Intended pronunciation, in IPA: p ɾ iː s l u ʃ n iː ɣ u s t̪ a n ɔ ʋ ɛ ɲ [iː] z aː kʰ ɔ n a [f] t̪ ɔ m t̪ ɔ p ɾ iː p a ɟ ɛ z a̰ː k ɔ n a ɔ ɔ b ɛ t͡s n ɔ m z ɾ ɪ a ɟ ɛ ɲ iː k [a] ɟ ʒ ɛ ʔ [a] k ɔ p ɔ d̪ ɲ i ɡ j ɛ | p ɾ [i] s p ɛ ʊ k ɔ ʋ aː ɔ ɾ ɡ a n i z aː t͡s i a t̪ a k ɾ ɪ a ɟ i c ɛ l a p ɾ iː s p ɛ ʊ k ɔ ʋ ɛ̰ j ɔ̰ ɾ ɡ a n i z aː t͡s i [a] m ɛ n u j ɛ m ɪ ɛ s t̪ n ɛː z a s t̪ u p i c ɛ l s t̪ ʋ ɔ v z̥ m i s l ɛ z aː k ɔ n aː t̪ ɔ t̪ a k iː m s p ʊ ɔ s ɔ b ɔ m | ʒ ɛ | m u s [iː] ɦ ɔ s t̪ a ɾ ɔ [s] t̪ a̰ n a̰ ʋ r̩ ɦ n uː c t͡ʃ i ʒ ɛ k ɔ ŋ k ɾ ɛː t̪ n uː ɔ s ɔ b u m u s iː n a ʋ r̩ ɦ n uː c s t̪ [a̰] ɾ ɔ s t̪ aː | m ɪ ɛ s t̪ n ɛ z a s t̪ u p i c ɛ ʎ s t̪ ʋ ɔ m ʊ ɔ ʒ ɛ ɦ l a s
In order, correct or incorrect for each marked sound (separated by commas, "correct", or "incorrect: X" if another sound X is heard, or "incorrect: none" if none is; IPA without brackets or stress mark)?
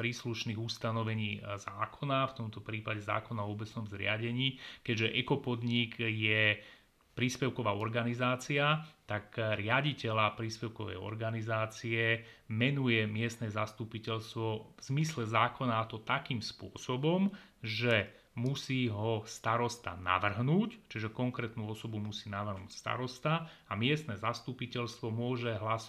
correct, correct, incorrect: ɛ, incorrect: ɛ, incorrect: iː, incorrect: ɛ, correct, correct, correct